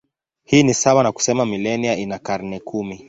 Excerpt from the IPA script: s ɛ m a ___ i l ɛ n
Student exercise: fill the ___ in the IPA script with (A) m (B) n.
A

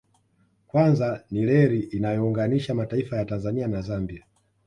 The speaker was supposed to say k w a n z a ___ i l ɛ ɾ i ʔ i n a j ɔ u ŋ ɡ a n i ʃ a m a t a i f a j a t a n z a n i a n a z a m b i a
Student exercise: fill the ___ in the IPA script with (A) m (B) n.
B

